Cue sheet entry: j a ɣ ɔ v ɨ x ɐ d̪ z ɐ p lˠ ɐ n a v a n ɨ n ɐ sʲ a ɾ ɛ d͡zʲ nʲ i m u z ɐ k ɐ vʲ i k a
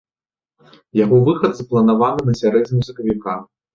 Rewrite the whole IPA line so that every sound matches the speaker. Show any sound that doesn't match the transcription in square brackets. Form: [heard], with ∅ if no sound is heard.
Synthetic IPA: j a ɣ ɔ v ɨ x ɐ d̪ z ɐ p lˠ ɐ n a v a n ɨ n ɐ sʲ a ɾ ɛ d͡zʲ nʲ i m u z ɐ k ɐ vʲ i k a